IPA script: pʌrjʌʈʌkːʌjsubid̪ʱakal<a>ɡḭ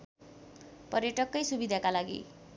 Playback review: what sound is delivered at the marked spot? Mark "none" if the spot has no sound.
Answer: a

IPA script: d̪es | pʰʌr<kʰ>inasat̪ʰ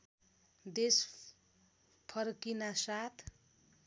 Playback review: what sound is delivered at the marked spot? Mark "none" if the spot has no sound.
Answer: k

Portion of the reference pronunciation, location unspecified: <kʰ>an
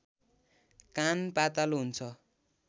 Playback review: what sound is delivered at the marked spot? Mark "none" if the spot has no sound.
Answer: k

